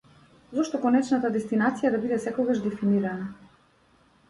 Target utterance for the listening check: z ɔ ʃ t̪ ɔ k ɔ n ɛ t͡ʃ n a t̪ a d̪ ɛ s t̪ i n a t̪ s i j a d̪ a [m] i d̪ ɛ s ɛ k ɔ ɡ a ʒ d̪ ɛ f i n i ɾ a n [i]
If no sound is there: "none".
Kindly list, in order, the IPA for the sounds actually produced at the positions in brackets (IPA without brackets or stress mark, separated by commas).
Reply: b, a